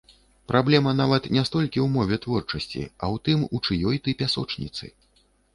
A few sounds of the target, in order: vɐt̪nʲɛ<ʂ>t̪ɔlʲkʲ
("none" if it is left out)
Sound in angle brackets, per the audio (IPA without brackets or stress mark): s